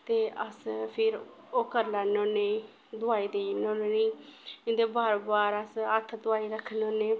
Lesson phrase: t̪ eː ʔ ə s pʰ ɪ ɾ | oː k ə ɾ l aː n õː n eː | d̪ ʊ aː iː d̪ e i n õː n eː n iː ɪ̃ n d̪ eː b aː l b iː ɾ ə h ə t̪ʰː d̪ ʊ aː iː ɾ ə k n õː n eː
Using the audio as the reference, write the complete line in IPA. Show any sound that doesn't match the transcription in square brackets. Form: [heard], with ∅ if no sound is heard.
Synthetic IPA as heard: t̪ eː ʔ ə s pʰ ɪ ɾ | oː k ə ɾ l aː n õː n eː | d̪ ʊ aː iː d̪ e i n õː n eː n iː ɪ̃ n d̪ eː b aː [ɾ] b [aː] ɾ ə [s] ə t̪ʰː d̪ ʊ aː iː ɾ ə [kʰ] n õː n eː

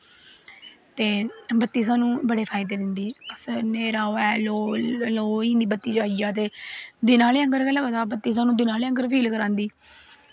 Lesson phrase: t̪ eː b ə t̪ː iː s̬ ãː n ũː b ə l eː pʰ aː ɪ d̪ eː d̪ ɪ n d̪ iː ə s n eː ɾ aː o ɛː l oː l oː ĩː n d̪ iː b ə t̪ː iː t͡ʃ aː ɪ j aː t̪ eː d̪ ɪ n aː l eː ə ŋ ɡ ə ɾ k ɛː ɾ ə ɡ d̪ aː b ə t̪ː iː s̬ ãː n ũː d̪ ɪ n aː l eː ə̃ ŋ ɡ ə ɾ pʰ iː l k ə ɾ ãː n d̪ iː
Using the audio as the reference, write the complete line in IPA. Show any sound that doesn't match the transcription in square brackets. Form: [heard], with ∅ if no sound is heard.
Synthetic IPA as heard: t̪ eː b ə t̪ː iː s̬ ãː n ũː b ə [ɽ] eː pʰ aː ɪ d̪ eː d̪ ɪ n d̪ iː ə s n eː ɾ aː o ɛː l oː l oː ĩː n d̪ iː b ə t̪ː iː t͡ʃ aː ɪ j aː t̪ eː d̪ ɪ n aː l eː ə ŋ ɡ ə ɾ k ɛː [l] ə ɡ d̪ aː b ə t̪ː iː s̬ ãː n ũː d̪ ɪ n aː l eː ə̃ ŋ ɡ ə ɾ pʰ iː l k ə ɾ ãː n d̪ iː

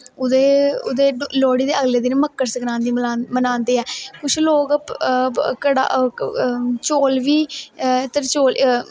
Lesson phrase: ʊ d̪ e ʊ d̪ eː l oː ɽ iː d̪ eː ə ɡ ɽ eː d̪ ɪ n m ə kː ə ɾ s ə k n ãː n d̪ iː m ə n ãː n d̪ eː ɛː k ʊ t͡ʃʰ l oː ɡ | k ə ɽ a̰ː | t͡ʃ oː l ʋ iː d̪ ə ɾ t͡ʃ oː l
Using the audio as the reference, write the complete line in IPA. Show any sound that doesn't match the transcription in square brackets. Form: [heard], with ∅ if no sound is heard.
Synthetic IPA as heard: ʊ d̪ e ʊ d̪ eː l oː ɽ iː d̪ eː ə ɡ [l] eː d̪ ɪ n m ə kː ə ɾ s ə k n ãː n d̪ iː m ə n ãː n d̪ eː ɛː k ʊ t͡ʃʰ l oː ɡ | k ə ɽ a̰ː | t͡ʃ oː l ʋ iː [t̪] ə ɾ t͡ʃ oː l

